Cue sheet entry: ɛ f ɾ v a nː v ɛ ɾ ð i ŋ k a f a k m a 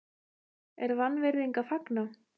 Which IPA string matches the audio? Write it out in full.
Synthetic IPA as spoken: ɛ ɾ v a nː v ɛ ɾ ð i ŋ k a f a k n a